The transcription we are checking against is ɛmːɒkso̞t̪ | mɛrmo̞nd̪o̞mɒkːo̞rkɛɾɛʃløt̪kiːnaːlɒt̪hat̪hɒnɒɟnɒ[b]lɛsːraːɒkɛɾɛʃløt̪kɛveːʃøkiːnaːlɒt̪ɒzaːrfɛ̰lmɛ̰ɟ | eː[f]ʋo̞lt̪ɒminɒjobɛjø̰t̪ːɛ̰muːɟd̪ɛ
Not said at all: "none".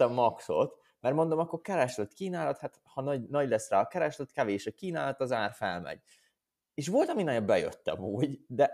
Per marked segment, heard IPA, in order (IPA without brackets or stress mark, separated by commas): ɟ, ʃ